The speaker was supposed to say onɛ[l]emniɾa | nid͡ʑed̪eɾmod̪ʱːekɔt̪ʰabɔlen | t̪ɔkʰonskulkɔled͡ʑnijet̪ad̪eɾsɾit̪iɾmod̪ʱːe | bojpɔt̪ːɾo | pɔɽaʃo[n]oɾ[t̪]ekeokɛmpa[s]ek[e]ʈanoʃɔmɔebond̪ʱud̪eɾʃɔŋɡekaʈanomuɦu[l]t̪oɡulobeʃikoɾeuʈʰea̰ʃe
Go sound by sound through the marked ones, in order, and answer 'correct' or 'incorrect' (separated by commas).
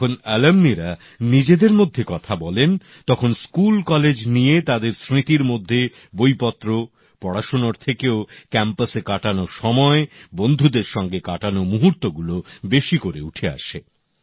correct, correct, incorrect, correct, incorrect, incorrect